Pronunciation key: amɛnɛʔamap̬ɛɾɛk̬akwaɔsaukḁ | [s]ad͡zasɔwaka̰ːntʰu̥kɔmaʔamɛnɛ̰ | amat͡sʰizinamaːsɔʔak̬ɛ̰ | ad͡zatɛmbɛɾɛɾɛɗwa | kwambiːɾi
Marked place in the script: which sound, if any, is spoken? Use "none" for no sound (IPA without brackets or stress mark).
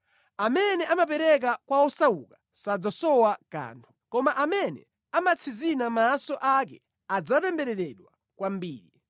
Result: s